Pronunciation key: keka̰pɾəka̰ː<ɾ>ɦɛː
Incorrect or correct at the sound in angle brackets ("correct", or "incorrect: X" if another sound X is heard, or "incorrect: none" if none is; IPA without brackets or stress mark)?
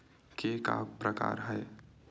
correct